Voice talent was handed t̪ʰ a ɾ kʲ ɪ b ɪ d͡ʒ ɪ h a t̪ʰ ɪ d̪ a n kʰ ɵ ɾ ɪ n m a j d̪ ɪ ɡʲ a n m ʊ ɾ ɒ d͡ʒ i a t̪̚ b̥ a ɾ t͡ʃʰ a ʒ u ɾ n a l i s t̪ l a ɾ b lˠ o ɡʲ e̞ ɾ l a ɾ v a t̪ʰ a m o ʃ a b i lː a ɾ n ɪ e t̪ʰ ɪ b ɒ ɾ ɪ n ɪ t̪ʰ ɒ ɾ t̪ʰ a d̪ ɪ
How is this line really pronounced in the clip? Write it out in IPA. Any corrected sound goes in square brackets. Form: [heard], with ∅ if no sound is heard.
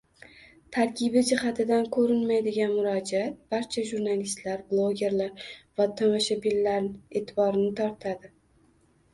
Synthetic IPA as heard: t̪ʰ a ɾ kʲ ɪ b ɪ d͡ʒ ɪ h a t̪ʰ ɪ d̪ a n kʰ ɵ ɾ ɪ n m a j d̪ ɪ ɡʲ a n m ʊ ɾ ɒ d͡ʒ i a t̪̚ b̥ a ɾ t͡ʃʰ a ʒ u ɾ n a l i s t̪ l a ɾ b lˠ o ɡʲ e̞ ɾ l a ɾ v a t̪ʰ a m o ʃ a b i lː a ɾ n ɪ e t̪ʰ ɪ b ɒ ɾ ɪ n ɪ t̪ʰ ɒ ɾ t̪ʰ a d̪ ɪ